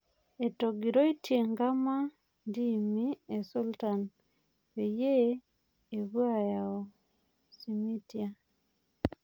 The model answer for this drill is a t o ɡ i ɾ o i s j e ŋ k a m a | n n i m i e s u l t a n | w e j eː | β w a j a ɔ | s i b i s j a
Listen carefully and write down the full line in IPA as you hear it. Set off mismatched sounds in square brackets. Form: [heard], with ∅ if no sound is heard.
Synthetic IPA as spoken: [e] t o ɡ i ɾ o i [t] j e ŋ [ɡ] a m a | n [d] i m i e s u l t a n | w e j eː | β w a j a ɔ | s i [m] i [t] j a